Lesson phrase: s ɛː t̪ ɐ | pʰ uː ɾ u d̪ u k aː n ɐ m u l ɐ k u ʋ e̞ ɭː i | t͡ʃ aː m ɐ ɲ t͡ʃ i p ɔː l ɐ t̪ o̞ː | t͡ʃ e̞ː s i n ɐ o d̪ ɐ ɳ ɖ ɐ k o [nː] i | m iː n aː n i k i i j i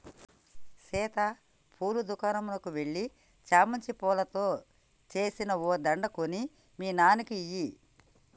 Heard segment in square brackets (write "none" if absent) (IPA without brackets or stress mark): n